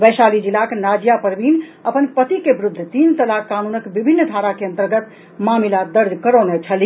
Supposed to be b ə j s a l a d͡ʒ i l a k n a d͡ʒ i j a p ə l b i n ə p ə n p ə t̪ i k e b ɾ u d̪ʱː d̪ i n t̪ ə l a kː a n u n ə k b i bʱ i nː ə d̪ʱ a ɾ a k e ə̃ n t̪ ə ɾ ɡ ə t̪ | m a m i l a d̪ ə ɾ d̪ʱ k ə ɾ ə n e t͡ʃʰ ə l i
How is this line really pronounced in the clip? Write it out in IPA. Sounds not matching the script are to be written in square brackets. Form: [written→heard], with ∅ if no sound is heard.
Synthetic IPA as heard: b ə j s a l [a→i] d͡ʒ i l a k n a d͡ʒ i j a p ə [l→ɾ] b i n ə p ə n p ə t̪ i k e b ɾ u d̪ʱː [d̪→t̪] i n t̪ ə l a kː a n u n ə k b i bʱ i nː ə d̪ʱ a ɾ a k e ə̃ n t̪ ə ɾ ɡ ə t̪ | m a m i l a d̪ ə ɾ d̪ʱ k ə ɾ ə n e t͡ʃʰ ə l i

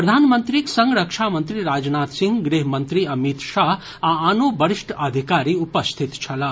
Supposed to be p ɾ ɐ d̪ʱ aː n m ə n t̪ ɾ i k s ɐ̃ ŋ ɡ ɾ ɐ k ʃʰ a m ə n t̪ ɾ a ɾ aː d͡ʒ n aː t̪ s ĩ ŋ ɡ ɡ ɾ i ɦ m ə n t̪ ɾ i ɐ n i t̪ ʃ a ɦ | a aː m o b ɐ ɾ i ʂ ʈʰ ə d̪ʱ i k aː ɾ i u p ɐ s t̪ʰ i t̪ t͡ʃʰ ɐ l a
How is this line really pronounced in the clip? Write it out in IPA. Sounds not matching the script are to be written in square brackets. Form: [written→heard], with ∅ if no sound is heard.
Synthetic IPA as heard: p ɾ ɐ d̪ʱ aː n m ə n t̪ ɾ i k s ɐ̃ ŋ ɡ ɾ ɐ k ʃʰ a m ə n t̪ ɾ [a→i] ɾ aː d͡ʒ n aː t̪ s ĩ ŋ ɡ ɡ ɾ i ɦ m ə n t̪ ɾ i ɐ [n→m] i t̪ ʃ a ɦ | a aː [m→n] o b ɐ ɾ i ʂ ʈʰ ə d̪ʱ i k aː ɾ i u p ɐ s t̪ʰ i t̪ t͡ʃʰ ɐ l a

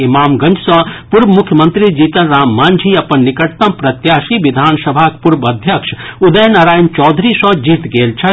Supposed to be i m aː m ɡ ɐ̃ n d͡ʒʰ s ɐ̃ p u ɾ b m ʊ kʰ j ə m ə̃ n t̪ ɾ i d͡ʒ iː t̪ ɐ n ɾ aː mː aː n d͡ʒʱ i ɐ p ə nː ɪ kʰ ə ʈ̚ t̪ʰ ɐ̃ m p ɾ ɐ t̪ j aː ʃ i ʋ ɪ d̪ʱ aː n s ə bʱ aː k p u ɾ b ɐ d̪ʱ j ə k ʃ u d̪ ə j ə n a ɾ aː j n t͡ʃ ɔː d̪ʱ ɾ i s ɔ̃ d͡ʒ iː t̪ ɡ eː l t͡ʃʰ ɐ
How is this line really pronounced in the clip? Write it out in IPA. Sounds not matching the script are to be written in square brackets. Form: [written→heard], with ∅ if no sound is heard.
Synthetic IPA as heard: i m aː m ɡ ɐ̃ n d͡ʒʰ s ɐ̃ p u ɾ b m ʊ kʰ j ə m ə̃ n t̪ ɾ i d͡ʒ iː t̪ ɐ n ɾ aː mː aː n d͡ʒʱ i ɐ p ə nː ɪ [kʰ→k] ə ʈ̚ [t̪ʰ→t̪] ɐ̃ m p ɾ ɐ t̪ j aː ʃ i ʋ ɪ d̪ʱ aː n s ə bʱ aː k p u ɾ b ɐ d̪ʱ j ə k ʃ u d̪ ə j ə n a ɾ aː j n t͡ʃ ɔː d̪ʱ ɾ i s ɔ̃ d͡ʒ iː t̪ ɡ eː l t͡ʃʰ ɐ

